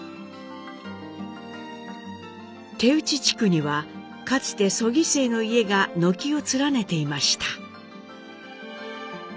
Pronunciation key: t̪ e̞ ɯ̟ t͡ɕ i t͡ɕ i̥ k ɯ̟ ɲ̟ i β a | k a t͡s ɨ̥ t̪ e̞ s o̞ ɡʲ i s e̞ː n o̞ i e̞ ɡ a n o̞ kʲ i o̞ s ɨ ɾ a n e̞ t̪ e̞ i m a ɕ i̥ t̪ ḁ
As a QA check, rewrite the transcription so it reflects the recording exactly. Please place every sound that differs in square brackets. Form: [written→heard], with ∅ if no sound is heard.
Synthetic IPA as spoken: t̪ e̞ ɯ̟ t͡ɕ i t͡ɕ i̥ k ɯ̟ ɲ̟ i β a | k a t͡s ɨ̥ t̪ e̞ s o̞ ɡʲ i s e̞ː n o̞ i e̞ ɡ a n o̞ kʲ i o̞ [s→t͡s] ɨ ɾ a n e̞ t̪ e̞ i m a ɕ i̥ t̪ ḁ